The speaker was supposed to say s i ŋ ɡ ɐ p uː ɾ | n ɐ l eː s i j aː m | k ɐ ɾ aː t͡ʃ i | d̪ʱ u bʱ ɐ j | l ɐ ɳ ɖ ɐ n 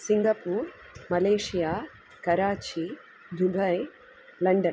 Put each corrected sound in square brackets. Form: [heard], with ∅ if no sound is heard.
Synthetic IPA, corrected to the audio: s i ŋ ɡ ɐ p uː ɾ | [m] ɐ l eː [ʂ] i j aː [∅] | k ɐ ɾ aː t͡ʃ i | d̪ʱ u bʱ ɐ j | l ɐ ɳ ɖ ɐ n